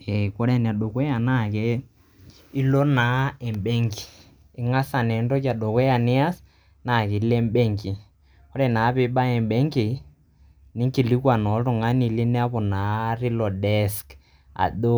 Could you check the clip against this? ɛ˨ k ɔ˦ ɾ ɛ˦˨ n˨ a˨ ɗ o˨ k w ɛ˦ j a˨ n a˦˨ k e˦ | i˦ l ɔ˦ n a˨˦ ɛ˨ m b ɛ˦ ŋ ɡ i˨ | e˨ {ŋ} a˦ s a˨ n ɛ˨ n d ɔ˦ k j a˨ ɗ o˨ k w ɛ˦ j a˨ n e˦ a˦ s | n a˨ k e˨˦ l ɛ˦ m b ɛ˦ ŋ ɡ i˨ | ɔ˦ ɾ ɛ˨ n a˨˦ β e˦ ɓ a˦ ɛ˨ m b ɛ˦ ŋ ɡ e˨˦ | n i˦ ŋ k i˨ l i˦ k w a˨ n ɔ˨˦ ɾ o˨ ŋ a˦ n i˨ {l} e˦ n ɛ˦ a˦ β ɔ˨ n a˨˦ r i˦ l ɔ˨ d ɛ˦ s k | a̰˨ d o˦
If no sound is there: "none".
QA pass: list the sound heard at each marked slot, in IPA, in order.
ŋ, l

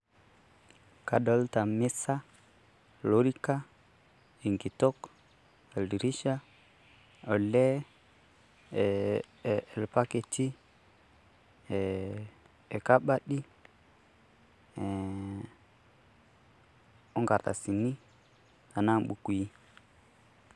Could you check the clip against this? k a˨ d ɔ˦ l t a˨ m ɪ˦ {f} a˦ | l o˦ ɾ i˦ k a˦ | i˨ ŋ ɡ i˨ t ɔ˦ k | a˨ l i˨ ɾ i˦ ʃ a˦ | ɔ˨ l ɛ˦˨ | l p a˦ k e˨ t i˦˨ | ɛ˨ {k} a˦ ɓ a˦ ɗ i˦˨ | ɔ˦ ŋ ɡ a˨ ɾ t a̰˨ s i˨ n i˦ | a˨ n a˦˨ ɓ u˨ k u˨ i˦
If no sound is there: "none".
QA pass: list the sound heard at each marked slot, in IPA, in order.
s, k

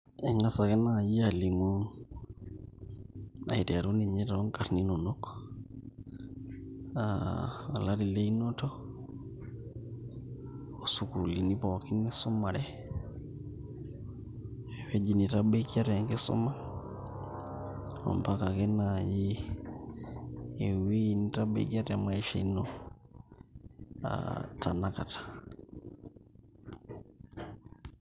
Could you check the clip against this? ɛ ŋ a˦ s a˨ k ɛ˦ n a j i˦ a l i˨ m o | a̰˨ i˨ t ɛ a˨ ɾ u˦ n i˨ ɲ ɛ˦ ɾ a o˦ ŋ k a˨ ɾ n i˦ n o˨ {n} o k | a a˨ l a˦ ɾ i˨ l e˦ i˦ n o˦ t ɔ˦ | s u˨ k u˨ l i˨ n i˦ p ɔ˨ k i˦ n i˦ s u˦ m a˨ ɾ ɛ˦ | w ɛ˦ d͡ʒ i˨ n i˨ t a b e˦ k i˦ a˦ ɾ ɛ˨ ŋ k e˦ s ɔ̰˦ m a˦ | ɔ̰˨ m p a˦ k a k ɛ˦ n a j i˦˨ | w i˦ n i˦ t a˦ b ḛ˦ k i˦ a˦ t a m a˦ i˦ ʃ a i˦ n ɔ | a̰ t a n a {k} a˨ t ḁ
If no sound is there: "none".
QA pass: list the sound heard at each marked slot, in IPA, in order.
n, k

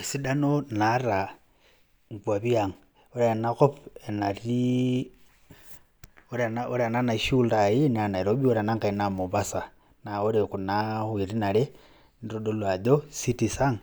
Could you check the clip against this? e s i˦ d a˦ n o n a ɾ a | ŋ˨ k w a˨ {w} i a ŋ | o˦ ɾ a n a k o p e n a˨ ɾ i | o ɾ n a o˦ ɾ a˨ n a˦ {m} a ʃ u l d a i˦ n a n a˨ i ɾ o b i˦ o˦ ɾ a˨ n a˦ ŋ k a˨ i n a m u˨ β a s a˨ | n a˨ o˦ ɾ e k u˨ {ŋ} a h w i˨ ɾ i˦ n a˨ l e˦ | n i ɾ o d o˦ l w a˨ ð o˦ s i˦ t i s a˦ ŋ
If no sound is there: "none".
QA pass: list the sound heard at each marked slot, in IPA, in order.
β, n, n

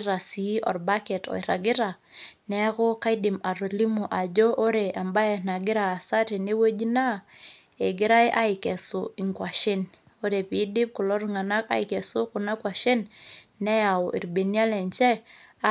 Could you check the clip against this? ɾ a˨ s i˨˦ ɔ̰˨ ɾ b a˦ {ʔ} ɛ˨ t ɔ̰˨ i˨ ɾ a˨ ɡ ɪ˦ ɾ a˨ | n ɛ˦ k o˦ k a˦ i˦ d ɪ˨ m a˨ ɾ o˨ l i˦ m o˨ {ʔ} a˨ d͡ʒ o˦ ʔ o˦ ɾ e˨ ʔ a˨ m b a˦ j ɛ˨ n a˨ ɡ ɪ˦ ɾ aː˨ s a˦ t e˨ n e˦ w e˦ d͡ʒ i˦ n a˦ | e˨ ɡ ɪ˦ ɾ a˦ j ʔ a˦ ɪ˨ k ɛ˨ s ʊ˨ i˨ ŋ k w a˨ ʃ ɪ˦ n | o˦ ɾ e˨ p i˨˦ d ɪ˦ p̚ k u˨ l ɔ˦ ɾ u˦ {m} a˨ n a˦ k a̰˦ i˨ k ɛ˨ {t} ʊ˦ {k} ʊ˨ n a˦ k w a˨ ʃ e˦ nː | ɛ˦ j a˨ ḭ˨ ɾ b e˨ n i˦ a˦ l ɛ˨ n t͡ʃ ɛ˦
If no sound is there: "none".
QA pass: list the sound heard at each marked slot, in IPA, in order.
k, ʔ, ŋ, s, k

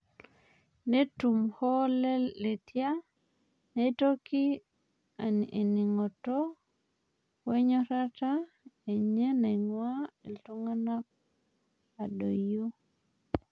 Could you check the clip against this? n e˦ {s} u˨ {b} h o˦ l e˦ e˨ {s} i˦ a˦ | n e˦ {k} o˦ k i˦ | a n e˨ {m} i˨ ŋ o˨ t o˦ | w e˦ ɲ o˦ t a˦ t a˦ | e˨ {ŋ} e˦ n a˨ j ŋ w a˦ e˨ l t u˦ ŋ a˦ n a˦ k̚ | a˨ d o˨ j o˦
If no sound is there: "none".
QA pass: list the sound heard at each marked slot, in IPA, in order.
t, m, t, t, n, ɲ

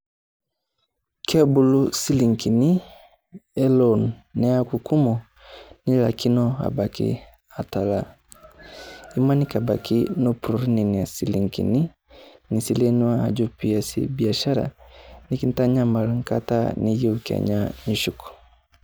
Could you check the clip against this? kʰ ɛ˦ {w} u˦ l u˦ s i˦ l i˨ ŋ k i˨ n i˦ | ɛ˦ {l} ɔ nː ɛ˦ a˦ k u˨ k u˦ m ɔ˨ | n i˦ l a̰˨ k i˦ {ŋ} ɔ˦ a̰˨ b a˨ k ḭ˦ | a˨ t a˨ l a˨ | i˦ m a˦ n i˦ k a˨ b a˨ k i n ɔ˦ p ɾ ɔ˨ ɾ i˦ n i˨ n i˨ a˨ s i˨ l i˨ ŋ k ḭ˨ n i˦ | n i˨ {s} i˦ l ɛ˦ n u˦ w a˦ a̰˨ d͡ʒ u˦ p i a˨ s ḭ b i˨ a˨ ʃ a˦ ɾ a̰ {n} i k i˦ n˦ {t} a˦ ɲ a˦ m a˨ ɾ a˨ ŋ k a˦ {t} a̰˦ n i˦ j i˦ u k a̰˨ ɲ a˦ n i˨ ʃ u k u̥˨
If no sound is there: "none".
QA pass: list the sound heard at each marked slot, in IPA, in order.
b, l, n, s, n, t, t

